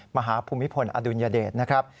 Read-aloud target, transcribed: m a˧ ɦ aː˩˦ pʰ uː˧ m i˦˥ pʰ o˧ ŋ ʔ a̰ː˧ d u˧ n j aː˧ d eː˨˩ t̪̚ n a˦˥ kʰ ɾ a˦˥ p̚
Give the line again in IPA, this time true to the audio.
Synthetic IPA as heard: m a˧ ɦ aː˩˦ pʰ uː˧ m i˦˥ pʰ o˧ n ʔ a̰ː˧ d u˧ n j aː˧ d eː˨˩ t̪̚ n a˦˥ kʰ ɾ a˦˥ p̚

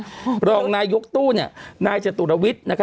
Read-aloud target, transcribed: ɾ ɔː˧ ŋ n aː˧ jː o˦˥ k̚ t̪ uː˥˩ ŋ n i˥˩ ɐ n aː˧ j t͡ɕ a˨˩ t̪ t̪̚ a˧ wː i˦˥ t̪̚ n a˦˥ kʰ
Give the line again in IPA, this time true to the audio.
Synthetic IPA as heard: ɾ ɔː˧ ŋ n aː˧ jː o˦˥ k̚ t̪ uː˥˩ n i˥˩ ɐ n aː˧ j t͡ɕ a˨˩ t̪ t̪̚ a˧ w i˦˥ t̪̚ n a˦˥ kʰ

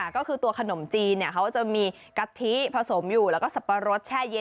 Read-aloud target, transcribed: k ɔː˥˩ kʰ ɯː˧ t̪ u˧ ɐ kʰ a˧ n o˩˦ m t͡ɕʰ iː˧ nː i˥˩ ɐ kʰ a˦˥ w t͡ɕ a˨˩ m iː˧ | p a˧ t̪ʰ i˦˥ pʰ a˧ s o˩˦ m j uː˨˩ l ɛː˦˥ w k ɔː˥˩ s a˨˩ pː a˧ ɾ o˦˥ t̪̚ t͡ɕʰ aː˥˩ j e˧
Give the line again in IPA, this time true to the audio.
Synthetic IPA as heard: k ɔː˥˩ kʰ ɯː˧ t̪ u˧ ɐ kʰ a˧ n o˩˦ m t͡ɕ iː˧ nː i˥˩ ɐ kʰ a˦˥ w t͡ɕ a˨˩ m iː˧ | k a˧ t̪ʰ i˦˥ pʰ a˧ s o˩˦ m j uː˨˩ l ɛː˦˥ w k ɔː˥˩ s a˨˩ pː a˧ ɾ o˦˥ t̪̚ t͡ɕʰ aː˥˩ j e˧

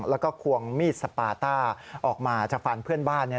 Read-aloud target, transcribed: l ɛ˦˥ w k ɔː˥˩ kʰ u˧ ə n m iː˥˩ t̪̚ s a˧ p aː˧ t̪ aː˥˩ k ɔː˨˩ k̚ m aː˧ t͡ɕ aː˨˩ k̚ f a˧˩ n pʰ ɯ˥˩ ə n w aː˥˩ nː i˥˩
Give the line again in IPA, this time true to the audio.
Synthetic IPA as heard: l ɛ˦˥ w k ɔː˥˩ kʰ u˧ ə ŋ m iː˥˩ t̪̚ s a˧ p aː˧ t̪ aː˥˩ ʔ ɔː˨˩ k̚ m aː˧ t͡ɕ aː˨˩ k̚ f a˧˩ n pʰ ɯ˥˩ ə n b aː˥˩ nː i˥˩

